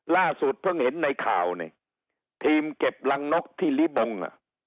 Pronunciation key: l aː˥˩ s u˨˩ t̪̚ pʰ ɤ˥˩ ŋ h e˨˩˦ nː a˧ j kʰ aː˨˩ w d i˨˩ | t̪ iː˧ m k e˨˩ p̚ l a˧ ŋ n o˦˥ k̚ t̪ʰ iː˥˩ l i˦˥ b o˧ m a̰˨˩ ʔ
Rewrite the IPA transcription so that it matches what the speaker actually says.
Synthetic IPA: l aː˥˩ s u˨˩ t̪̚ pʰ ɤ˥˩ ŋ h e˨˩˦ nː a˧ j kʰ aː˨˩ w n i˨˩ | t̪ʰ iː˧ m k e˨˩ p̚ l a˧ ŋ n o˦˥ k̚ t̪ʰ iː˥˩ l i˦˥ b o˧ ŋ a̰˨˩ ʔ